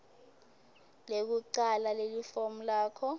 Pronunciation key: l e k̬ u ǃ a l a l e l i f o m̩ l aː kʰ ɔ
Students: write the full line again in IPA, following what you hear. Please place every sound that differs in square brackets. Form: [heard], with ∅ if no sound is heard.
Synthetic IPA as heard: l e k̬ u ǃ a l a l e l i f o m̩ l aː kʰ ɔ